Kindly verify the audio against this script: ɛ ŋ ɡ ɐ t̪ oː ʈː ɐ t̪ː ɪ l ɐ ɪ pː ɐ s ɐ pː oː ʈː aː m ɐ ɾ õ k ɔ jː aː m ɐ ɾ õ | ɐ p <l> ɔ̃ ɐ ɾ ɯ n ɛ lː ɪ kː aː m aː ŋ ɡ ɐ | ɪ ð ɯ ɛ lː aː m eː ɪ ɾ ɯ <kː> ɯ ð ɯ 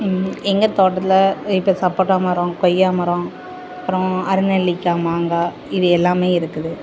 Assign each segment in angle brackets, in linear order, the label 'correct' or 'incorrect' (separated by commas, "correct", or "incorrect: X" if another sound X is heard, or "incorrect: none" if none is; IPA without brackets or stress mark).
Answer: incorrect: ɾ, correct